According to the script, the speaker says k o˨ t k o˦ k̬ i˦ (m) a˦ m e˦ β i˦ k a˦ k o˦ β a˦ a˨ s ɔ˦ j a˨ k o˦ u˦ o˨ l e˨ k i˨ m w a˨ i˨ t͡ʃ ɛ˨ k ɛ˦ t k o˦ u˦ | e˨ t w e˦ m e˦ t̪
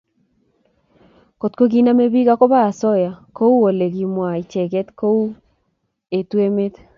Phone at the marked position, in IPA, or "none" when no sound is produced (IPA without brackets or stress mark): n